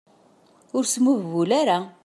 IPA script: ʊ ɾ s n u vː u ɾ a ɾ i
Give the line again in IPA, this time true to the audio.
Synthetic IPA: ʊ ɾ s m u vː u l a ɾ a